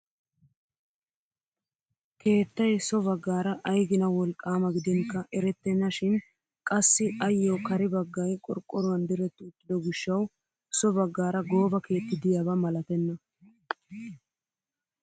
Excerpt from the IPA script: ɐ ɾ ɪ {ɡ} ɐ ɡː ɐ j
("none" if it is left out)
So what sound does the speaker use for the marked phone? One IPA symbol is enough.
b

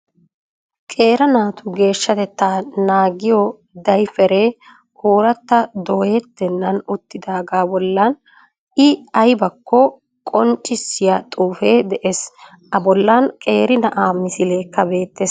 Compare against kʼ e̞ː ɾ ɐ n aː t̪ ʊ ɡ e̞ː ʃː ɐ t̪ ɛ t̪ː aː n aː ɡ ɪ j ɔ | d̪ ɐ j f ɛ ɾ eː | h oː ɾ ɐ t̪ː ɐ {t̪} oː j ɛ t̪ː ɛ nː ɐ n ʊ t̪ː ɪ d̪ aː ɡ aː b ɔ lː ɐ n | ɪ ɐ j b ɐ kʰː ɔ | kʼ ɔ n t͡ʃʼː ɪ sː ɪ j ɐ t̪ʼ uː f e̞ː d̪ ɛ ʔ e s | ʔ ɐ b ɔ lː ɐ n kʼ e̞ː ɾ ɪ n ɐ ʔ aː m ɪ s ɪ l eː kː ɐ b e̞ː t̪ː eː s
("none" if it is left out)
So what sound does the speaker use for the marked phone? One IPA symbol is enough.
d̪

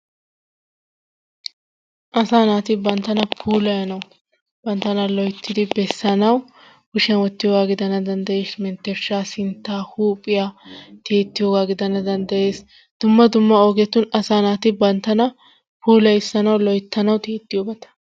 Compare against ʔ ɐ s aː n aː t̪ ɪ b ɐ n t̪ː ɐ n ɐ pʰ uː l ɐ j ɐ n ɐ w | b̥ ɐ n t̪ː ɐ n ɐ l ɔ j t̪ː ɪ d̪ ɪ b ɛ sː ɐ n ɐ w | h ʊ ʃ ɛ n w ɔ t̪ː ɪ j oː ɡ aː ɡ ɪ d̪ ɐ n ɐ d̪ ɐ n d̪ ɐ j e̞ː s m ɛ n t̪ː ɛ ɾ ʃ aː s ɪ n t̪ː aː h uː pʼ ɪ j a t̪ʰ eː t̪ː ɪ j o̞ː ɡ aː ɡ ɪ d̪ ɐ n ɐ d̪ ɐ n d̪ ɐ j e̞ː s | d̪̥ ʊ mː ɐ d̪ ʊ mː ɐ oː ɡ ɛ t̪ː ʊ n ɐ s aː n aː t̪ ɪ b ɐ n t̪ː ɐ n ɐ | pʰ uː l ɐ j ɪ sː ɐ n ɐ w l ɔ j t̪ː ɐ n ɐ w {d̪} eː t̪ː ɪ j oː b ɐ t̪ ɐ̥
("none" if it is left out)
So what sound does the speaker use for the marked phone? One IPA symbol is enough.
t̪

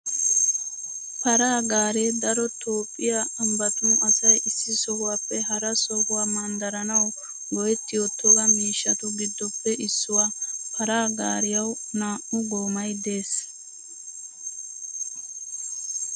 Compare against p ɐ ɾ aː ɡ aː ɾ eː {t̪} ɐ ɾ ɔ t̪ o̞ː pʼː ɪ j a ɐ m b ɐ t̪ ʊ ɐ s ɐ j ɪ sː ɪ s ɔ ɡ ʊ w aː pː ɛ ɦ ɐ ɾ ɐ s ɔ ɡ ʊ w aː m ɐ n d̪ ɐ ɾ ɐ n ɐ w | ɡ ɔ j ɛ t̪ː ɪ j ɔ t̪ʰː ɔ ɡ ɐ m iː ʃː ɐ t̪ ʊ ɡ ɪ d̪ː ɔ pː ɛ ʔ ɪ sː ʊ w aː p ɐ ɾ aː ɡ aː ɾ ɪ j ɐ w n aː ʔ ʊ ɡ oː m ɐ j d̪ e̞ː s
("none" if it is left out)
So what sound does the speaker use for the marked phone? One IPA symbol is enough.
d̪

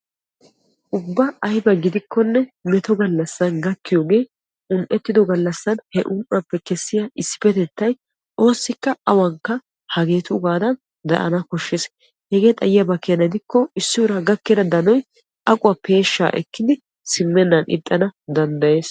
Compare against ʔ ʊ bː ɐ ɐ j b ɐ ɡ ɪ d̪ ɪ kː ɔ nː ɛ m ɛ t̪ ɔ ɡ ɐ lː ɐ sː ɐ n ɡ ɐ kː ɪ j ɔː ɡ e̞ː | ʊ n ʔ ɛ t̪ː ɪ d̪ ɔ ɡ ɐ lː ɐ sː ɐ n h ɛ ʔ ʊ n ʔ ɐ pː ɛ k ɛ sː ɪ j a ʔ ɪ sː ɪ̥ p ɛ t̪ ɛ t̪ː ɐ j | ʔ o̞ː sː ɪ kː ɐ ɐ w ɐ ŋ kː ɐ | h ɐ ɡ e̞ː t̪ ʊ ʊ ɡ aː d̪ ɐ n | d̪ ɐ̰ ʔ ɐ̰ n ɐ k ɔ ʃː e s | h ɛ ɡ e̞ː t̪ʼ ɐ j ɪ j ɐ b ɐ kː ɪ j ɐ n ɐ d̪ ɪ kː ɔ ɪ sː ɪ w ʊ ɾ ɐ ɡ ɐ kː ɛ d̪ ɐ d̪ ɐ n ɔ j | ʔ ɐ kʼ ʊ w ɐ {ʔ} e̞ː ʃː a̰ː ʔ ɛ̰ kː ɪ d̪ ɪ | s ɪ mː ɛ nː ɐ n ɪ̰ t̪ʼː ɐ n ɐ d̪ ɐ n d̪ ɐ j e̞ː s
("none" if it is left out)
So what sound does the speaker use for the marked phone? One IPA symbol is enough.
p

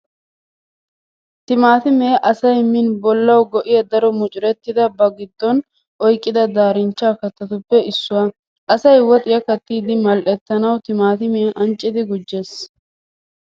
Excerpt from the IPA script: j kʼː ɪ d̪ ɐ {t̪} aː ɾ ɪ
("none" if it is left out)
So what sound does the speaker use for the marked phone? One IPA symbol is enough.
d̪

